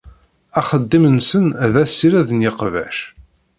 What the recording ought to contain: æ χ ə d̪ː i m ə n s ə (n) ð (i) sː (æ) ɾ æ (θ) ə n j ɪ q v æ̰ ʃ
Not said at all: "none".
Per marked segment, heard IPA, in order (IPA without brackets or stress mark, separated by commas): n, æ, i, ð